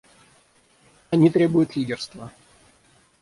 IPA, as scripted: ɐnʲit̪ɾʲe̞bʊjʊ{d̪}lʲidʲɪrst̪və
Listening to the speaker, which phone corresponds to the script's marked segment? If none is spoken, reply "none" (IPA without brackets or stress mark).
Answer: t̪